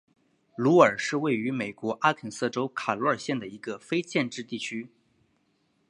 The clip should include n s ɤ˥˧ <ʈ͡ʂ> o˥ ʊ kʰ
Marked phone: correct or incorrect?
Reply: correct